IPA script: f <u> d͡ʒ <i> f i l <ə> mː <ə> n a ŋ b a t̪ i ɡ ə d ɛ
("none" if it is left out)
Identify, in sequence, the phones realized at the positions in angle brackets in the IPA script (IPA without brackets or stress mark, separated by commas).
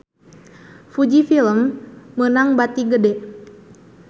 u, i, ə, ə